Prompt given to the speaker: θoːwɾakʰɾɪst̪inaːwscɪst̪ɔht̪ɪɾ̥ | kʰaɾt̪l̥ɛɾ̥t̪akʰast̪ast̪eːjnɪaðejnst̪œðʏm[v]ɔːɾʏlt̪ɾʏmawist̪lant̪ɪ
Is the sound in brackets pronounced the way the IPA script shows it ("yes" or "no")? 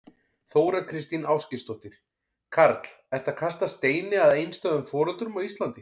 no